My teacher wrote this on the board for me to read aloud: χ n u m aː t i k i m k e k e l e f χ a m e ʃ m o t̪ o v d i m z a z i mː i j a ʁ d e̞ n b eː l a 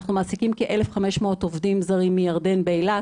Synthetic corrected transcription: χ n u m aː s i k i m k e ʔ e l e f χ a m e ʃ m o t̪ o v d i m z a ʁ i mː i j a ʁ d e̞ n b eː l a